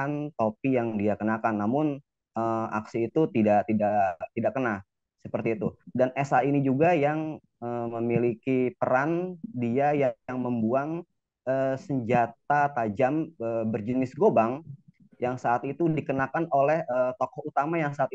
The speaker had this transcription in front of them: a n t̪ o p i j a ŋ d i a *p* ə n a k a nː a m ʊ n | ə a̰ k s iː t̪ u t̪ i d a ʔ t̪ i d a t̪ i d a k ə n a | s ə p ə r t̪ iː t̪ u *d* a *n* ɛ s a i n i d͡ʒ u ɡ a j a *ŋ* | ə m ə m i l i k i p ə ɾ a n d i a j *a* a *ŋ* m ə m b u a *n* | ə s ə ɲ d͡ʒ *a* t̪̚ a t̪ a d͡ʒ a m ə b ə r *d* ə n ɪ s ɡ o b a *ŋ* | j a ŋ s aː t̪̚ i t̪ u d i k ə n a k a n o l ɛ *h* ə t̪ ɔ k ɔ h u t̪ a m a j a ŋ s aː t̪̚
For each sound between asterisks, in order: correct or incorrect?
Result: incorrect, correct, correct, correct, correct, correct, incorrect, correct, incorrect, correct, correct

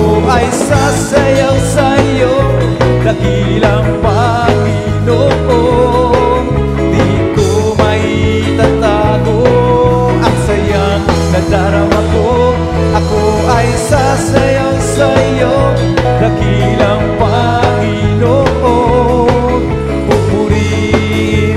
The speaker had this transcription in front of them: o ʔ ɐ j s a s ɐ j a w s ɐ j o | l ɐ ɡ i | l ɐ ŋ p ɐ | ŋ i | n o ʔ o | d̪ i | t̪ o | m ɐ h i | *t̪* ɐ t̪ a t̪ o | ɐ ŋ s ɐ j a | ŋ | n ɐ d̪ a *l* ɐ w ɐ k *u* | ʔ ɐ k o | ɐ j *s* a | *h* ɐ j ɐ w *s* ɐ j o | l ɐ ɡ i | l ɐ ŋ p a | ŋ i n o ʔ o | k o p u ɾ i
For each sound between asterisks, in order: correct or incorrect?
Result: correct, incorrect, incorrect, correct, incorrect, correct

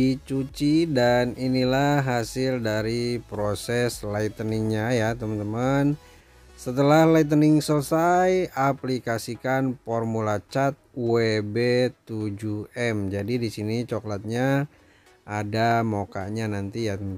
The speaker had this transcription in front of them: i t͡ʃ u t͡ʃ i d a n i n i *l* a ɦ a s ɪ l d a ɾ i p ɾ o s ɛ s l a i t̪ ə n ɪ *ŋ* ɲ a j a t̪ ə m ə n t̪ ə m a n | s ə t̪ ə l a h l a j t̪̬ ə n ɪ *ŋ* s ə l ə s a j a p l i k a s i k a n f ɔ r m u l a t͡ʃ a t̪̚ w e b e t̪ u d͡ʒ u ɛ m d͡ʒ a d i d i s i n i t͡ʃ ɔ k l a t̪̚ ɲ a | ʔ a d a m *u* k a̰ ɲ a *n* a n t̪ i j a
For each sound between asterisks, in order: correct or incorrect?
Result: correct, correct, correct, incorrect, correct

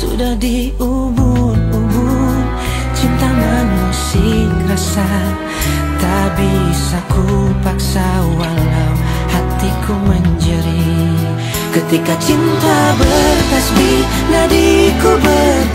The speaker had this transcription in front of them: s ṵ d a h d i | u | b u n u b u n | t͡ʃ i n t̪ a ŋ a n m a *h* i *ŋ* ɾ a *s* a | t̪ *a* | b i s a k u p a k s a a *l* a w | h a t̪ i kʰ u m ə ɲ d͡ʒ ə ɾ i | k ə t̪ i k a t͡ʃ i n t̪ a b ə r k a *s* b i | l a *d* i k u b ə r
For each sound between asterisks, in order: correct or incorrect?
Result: incorrect, correct, correct, correct, correct, correct, correct

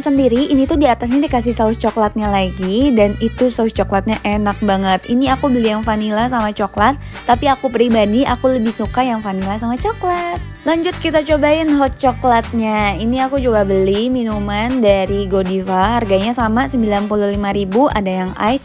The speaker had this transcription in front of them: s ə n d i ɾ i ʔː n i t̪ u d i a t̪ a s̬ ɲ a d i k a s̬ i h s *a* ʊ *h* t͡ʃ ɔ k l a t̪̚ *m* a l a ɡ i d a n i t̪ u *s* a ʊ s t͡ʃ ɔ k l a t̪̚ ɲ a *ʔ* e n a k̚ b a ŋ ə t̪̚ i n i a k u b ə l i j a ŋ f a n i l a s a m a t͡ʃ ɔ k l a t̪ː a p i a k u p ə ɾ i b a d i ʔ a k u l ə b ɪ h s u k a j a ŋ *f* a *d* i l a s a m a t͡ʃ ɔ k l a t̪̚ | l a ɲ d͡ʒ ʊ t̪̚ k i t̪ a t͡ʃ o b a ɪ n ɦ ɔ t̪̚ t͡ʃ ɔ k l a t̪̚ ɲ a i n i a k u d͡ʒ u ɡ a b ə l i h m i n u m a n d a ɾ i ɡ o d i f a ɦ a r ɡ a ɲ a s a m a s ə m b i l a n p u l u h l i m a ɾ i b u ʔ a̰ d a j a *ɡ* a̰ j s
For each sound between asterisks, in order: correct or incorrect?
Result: correct, incorrect, incorrect, correct, correct, correct, incorrect, incorrect

